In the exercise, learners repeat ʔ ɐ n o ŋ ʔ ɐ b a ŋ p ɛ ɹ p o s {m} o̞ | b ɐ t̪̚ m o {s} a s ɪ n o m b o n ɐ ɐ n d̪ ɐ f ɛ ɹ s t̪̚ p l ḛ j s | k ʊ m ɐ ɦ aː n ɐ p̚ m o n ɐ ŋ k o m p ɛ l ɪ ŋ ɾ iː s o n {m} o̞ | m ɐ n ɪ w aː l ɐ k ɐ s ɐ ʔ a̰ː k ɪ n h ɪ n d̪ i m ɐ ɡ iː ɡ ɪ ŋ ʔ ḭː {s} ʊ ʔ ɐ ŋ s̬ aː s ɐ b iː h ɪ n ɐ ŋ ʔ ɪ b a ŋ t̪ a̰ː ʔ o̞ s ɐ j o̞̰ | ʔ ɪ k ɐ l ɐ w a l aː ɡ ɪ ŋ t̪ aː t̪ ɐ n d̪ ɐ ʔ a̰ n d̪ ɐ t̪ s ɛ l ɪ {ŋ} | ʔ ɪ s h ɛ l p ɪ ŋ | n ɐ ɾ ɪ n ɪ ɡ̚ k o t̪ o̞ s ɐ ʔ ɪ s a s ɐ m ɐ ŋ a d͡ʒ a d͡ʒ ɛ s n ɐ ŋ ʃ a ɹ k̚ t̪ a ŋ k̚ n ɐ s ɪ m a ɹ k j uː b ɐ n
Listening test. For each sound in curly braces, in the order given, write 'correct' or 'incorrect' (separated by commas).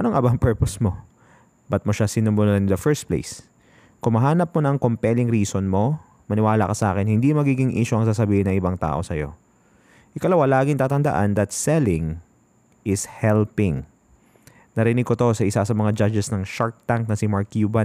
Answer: correct, incorrect, correct, incorrect, correct